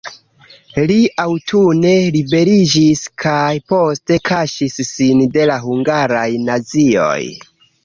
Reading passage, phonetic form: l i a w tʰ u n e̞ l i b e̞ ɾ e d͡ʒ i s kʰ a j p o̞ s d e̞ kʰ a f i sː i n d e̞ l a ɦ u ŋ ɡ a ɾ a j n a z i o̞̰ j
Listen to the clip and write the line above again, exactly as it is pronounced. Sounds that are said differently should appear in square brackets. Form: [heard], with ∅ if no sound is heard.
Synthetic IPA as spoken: l i a w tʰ u n e̞ l i b e̞ ɾ [i] d͡ʒ i s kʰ a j p o̞ s [t] e̞ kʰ a [ʃ] i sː i n d e̞ l a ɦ u ŋ ɡ a ɾ a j n a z i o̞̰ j